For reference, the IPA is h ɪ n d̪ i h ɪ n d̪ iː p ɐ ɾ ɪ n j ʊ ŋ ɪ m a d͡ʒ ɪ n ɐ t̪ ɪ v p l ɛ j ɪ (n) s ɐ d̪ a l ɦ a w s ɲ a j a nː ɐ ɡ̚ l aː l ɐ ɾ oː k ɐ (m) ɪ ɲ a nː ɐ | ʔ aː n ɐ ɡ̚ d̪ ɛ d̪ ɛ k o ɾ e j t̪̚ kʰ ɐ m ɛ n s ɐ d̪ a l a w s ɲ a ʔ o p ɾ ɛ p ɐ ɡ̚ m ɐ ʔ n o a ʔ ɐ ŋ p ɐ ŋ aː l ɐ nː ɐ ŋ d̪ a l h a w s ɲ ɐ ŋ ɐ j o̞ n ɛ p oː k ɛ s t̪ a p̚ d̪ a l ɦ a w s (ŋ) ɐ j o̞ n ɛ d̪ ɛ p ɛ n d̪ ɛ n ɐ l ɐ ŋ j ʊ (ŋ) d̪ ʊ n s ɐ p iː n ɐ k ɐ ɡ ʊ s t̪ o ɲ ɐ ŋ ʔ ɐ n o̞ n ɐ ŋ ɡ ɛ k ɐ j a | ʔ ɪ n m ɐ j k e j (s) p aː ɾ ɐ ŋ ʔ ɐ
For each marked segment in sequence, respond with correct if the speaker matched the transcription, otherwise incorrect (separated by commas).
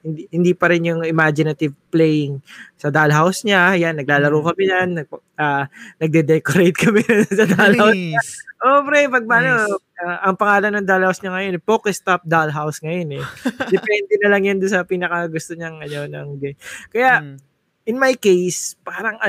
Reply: incorrect, correct, correct, incorrect, correct